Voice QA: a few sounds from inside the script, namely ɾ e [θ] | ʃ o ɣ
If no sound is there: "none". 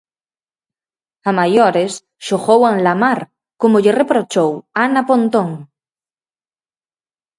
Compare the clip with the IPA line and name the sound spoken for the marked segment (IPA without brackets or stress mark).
s